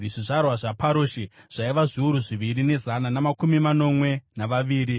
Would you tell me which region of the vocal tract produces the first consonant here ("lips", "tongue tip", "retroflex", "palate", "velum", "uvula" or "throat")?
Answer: retroflex